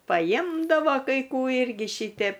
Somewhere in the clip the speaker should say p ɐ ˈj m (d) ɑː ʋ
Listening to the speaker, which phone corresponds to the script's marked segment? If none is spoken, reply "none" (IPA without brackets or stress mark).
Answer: d